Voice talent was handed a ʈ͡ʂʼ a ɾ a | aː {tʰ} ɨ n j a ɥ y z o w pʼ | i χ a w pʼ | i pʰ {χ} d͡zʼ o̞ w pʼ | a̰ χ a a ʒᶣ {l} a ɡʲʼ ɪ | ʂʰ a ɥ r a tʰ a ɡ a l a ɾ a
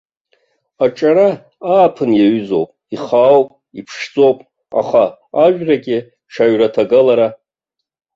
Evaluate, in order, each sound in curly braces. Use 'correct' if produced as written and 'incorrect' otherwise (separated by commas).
incorrect, incorrect, incorrect